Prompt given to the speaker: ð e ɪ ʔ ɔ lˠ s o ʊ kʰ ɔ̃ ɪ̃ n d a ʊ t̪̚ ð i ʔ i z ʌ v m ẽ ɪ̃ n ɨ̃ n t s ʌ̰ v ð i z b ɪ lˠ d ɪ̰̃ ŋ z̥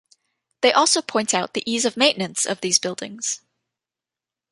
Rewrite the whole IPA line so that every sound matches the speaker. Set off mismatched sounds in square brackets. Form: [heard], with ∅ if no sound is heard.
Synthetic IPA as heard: ð e ɪ ʔ ɔ lˠ s o ʊ [pʰ] ɔ̃ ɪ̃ n [t] a ʊ t̪̚ ð i ʔ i z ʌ v m ẽ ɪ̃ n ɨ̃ n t s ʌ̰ v ð i z b ɪ lˠ d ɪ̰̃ ŋ z̥